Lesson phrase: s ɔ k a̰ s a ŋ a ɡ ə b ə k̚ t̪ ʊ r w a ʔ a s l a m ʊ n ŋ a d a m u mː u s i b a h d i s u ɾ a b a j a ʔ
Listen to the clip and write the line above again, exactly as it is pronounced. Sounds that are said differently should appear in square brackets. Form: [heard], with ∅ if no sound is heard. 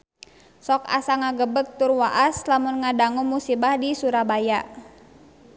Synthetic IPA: s ɔ k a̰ s a ŋ a ɡ ə b ə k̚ t̪ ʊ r w a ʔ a s l a m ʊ n ŋ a d a [ŋ] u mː u s i b a h d i s u ɾ a b a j a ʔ